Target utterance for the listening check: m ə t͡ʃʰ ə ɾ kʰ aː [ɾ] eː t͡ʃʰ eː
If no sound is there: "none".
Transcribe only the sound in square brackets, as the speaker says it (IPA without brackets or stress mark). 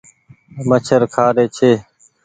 ɾ